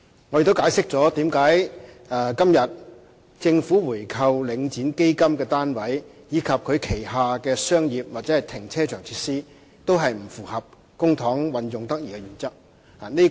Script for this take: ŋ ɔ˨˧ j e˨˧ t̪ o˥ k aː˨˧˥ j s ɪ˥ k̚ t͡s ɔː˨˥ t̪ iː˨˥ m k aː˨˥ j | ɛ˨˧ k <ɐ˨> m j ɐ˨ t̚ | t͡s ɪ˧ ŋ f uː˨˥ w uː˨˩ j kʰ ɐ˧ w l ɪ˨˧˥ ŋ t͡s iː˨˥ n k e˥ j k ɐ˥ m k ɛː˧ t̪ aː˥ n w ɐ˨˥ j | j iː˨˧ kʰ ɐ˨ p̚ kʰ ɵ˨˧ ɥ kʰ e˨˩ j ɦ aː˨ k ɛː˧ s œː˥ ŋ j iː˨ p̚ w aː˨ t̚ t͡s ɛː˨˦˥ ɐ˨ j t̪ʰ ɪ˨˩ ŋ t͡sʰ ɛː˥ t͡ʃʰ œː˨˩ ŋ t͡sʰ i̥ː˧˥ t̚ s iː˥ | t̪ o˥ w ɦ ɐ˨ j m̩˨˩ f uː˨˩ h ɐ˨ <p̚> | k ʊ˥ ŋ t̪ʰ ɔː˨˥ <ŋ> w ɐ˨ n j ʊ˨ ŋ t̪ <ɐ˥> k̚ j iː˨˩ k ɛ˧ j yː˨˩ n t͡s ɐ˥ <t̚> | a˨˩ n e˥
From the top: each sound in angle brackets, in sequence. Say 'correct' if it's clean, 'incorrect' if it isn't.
incorrect: ɐ˥, correct, correct, correct, incorrect: k̚

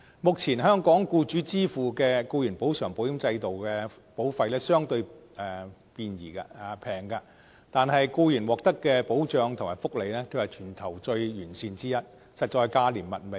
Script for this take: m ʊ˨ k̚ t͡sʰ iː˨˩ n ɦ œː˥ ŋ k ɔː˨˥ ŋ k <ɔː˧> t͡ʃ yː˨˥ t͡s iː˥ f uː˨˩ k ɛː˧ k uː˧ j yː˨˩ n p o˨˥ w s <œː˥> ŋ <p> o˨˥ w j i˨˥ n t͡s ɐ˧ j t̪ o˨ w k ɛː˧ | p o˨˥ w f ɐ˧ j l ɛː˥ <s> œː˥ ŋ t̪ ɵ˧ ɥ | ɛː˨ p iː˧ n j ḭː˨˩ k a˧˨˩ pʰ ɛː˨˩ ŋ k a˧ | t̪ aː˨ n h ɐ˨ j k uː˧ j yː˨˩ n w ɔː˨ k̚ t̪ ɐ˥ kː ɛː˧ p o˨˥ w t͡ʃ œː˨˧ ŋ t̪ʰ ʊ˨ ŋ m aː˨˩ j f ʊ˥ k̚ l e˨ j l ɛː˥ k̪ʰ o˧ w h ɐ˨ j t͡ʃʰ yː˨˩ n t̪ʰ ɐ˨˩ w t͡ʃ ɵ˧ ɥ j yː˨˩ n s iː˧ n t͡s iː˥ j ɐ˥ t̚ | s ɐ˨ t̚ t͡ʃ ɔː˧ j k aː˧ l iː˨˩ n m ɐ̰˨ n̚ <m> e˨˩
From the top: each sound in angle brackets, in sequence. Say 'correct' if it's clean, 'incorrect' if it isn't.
incorrect: uː˧, incorrect: œː˨˩, correct, correct, correct

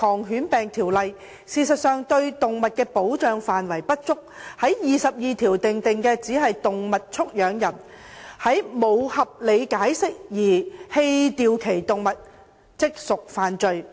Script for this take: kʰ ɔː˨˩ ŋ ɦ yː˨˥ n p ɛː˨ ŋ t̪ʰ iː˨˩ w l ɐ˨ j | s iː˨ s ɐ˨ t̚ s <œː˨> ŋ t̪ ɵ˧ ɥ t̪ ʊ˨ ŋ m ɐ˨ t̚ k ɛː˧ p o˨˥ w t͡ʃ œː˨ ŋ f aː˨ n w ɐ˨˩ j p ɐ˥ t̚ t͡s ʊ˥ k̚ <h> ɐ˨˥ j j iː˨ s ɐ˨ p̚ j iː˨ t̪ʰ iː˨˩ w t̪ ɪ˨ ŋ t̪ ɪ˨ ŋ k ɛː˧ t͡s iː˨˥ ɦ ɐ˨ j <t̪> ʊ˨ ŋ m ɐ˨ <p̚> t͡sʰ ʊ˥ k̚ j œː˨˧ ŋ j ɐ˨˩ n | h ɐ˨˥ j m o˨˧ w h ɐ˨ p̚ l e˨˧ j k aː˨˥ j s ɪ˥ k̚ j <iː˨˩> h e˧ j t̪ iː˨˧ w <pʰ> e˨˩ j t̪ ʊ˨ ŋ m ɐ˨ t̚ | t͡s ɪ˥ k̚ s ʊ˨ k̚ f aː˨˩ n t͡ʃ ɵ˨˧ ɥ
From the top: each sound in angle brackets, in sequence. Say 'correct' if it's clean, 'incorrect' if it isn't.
correct, correct, correct, incorrect: t̚, correct, incorrect: kʰ

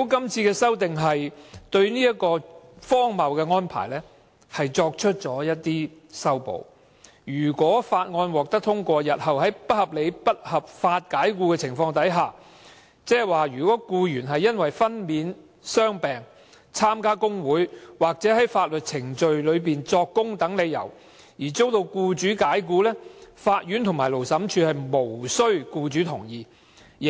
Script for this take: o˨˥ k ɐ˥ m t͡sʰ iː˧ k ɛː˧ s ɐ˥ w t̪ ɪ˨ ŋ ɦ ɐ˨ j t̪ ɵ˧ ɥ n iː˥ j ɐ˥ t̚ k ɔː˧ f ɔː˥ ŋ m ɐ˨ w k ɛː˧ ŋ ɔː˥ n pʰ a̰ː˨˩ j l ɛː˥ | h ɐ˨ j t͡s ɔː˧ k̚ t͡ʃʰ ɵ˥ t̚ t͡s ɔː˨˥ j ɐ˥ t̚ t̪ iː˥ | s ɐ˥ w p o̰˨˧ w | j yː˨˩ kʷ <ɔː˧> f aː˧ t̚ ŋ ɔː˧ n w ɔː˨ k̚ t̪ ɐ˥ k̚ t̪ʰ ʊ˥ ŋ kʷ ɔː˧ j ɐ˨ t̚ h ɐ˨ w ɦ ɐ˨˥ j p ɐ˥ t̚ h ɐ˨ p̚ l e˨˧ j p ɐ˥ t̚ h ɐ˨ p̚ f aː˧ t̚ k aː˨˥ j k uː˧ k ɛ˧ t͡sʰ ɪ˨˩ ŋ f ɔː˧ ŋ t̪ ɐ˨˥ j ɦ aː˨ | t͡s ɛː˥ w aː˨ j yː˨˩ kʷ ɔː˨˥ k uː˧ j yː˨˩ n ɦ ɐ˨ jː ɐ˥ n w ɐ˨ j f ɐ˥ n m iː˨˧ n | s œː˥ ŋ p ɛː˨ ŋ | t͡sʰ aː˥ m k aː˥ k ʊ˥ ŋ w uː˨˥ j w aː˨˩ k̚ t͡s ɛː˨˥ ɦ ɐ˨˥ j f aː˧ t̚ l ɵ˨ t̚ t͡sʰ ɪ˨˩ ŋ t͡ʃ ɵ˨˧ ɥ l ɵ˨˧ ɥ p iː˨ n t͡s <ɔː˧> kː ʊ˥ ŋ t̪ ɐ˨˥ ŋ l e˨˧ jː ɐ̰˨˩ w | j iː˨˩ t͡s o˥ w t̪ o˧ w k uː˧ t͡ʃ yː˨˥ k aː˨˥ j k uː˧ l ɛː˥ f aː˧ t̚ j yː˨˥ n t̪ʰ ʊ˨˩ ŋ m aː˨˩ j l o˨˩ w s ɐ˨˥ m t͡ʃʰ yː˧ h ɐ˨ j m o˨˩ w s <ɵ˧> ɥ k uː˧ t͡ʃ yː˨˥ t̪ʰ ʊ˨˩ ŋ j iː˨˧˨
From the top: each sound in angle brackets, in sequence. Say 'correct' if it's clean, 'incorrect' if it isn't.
incorrect: ɔː˨˥, correct, incorrect: ɵ˥

